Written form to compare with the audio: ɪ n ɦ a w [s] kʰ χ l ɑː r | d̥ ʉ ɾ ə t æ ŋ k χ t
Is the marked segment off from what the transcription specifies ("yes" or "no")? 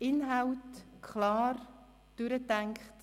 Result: yes